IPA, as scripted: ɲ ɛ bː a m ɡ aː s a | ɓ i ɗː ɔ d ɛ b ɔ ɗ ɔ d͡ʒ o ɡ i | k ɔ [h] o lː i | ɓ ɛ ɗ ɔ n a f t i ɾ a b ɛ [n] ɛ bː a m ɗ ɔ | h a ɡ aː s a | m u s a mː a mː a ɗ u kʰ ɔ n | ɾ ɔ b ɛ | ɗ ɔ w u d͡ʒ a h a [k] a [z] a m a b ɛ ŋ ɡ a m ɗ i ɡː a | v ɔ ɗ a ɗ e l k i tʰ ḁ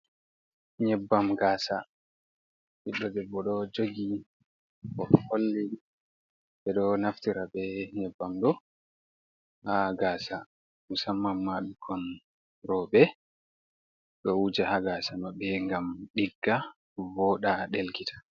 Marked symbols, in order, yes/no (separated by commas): yes, no, no, no